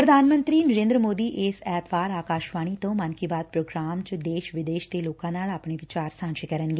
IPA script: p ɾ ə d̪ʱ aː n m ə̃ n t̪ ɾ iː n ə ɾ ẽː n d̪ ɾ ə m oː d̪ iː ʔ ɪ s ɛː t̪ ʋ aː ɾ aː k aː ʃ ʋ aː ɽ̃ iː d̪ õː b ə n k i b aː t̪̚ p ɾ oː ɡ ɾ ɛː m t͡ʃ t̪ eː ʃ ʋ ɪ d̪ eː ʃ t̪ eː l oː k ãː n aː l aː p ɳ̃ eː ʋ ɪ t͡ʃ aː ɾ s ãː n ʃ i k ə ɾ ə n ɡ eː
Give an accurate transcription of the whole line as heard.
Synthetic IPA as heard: p ɾ ə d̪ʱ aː n m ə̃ n t̪ ɾ iː n ə ɾ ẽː n d̪ ɾ ə m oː d̪ iː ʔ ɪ s ɛː t̪ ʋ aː ɾ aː k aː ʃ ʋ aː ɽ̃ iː t̪ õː m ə n k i b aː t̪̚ p ɾ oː ɡ ɾ aː m t͡ʃ d̪ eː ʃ ʋ ɪ d̪ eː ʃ t̪ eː l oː k ãː n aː l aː p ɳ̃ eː ʋ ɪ t͡ʃ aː ɾ s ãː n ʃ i k ə ɾ ə n ɡ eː

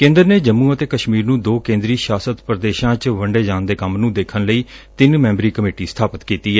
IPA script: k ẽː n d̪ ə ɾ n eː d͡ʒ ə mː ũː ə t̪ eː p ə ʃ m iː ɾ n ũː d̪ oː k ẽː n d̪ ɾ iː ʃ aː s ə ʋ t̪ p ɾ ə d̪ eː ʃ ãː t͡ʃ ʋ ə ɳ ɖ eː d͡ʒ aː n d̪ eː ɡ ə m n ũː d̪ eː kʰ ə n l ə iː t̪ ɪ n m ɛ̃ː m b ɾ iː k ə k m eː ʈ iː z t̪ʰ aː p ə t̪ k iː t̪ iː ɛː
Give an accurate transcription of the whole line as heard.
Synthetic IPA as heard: k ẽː n d̪ ə ɾ n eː d͡ʒ ə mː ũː ə t̪ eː k ə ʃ m iː ɾ n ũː d̪ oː k ẽː n d̪ ɾ iː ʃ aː s ə t̪ p ɾ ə d̪ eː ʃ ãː t͡ʃ ʋ ə ɳ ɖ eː d͡ʒ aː n d̪ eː k ə m n ũː d̪ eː kʰ ə n l ə iː t̪ ɪ n m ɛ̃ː m b ɾ iː k ə m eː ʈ iː s t̪ʰ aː p ə t̪ k iː t̪ iː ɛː

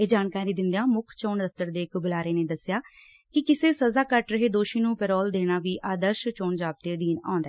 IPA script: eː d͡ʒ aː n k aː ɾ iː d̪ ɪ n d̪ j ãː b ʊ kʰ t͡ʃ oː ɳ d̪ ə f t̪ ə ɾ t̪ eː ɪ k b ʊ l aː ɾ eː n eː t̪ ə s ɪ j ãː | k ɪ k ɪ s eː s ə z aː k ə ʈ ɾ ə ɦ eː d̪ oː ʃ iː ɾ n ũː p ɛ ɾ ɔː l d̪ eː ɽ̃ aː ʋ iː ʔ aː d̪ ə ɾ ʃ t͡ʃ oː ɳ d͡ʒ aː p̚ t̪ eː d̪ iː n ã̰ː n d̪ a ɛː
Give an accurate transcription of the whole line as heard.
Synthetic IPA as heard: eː d͡ʒ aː n k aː ɾ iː d̪ ɪ n d̪ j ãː m ʊ kʰ t͡ʃ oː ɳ d̪ ə f t̪ ə ɾ d̪ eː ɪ k b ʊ l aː ɾ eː n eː d̪ ə s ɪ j aː | k ɪ k ɪ s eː s ə z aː k ə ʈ ɾ ə ɦ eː d̪ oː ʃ iː n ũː p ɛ ɾ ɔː l d̪ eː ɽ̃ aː ʋ iː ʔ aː d̪ ə ɾ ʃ t͡ʃ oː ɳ d͡ʒ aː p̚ t̪ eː d̪ iː n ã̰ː n d̪ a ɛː

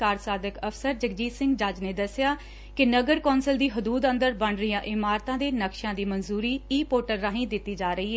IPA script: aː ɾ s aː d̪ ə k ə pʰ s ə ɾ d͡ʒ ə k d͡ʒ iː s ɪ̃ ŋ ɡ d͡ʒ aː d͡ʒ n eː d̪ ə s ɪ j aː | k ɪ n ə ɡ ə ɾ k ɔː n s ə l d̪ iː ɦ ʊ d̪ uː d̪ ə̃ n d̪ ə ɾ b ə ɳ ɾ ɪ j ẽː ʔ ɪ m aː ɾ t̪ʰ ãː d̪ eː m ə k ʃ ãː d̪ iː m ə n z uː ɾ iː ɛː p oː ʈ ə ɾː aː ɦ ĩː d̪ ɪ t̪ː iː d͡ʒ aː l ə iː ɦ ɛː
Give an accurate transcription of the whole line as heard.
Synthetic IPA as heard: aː ɾ s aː d̪ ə k ə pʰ s ə ɾ d͡ʒ ə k d͡ʒ iː s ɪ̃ ŋ ɡ d͡ʒ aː d͡ʒ n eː d̪ ə s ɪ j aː | k ɪ n ə ɡ ə ɾ k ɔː n s ə l d̪ iː ɦ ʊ d̪ uː d̪ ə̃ n d̪ ə ɾ b ə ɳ ɾ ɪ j ãː ʔ ɪ m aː ɾ t̪ ãː d̪ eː n ə k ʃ ãː d̪ iː m ə n z uː ɾ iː iː p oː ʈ ə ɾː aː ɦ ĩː d̪ ɪ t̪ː iː d͡ʒ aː ɾ ə iː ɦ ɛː

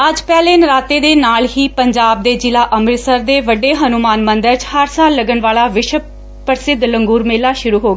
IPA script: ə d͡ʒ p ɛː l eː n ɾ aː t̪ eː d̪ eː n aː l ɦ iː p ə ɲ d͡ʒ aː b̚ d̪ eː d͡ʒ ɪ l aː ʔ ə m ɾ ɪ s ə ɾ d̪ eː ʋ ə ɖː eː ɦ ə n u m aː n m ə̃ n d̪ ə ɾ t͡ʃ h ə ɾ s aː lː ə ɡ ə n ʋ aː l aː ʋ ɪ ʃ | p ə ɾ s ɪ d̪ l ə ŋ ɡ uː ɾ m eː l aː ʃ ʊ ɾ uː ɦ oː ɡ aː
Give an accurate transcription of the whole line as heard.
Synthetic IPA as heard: ə d͡ʒ p ɛː l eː n ɾ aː t̪ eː d̪ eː n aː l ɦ iː p ə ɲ d͡ʒ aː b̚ d̪ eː d͡ʒ ɪ l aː ʔ ə m ɾ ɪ s ə ɾ d̪ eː ʋ ə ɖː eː ɦ ə n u m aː n m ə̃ n d̪ ə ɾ t͡ʃ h ə ɾ s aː lː ə ɡ ə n ʋ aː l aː ʋ ɪ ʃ | p ə ɾ s ɪ d̪ l ə ŋ ɡ uː ɾ m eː l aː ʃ ʊ ɾ uː ɦ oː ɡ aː

